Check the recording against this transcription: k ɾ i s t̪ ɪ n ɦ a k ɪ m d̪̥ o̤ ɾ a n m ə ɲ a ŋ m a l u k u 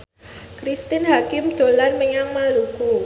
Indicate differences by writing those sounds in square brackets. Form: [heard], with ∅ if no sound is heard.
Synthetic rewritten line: k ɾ i s t̪ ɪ n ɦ a k ɪ m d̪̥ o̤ [l] a n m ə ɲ a ŋ m a l u k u